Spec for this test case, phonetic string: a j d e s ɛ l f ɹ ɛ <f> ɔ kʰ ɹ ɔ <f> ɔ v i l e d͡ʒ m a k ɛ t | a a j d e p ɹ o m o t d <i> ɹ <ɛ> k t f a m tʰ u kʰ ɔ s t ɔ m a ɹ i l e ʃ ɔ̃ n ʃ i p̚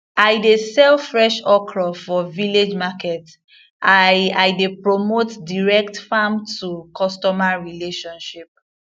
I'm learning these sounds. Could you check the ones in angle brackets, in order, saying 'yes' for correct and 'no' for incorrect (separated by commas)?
no, yes, yes, yes